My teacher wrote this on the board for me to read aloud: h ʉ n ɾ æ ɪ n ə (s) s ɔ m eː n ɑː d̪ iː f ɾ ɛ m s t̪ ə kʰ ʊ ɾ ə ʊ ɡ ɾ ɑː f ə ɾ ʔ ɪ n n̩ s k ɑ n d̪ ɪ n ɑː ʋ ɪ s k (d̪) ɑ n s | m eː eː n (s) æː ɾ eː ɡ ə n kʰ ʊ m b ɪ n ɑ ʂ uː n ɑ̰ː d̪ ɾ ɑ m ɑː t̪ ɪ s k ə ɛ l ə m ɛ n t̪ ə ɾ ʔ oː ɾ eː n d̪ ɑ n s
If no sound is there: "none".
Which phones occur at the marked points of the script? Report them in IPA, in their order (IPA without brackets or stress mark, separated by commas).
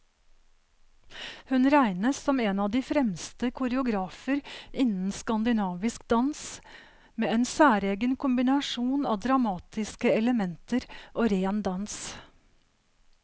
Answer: s, d̪, s